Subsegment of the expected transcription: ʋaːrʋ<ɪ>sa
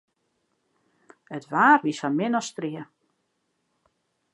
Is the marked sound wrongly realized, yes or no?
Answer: yes